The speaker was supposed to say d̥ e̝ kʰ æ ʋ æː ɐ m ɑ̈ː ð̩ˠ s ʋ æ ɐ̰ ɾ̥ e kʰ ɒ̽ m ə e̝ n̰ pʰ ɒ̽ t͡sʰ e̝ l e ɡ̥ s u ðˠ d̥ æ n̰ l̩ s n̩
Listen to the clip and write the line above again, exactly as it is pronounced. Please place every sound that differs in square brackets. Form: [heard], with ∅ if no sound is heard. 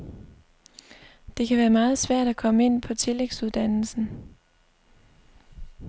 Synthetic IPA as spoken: d̥ e̝ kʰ æ ʋ æː ɐ m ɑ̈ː ð̩ˠ s ʋ æ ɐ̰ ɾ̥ [æ] kʰ ɒ̽ m ə e̝ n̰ pʰ ɒ̽ t͡sʰ e̝ l e ɡ̥ s u ðˠ d̥ æ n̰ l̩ s n̩